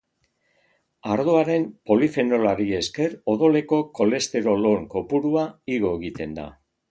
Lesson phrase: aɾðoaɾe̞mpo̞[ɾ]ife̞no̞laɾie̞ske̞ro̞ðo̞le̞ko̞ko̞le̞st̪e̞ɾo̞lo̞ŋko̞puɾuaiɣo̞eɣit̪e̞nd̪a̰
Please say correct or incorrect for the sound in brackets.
incorrect